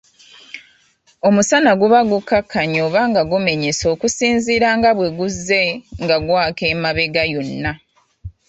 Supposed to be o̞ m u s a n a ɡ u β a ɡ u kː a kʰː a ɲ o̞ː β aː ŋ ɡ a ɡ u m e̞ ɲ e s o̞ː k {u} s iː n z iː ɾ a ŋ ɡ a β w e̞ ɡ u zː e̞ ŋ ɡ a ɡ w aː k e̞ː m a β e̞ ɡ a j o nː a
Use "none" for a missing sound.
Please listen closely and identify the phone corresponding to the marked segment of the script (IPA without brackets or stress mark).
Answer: u